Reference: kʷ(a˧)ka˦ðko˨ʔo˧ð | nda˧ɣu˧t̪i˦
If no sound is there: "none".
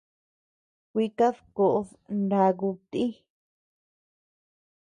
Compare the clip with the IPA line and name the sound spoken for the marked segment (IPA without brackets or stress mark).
i˧